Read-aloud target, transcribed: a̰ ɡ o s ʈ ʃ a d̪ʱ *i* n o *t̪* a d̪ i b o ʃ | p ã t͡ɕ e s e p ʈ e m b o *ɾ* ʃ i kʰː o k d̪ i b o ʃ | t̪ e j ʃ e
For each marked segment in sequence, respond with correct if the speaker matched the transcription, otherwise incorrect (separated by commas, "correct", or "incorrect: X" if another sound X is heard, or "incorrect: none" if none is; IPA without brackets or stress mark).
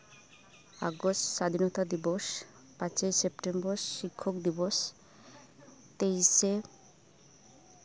correct, correct, correct